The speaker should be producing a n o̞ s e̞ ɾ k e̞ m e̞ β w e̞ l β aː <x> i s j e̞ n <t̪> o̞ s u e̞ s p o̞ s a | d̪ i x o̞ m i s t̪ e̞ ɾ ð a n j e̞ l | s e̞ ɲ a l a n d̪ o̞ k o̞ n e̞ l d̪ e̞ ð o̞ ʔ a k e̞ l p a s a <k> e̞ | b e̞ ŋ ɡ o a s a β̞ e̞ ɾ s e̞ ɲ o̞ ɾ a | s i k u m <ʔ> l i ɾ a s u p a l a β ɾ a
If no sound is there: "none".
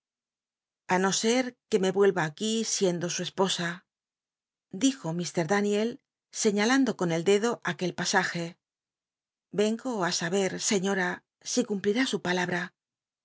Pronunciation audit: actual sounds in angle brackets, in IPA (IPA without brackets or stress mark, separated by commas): k, d̪, x, p